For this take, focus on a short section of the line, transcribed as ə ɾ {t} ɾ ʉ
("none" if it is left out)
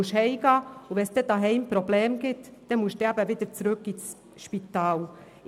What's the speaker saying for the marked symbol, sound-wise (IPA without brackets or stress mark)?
t͡s